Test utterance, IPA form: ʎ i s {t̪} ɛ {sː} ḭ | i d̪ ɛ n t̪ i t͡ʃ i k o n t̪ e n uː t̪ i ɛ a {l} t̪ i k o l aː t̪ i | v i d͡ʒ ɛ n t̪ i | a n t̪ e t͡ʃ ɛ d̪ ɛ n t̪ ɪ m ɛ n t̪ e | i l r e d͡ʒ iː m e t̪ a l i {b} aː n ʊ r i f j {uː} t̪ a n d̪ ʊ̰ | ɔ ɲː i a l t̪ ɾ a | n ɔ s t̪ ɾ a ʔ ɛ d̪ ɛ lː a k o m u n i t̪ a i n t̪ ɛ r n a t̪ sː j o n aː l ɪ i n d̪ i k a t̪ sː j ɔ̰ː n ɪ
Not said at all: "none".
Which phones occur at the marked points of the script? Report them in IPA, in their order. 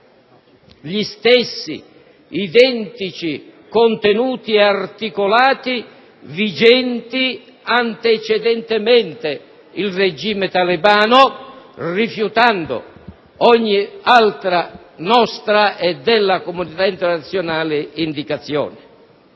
t̪, sː, r, b, u

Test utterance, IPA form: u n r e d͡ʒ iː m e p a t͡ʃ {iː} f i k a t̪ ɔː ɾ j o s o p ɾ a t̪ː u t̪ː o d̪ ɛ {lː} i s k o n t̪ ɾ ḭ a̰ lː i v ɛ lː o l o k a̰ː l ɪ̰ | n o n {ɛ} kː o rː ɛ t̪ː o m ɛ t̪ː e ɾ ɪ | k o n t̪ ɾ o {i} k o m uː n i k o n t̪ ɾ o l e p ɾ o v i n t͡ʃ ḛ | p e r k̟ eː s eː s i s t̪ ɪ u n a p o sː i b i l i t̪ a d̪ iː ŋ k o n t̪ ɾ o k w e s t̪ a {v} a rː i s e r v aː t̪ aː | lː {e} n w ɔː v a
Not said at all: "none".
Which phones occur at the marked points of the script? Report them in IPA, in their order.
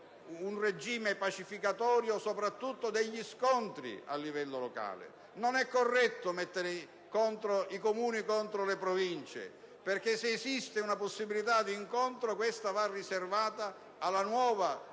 i, ʎː, ɛ, i, v, a

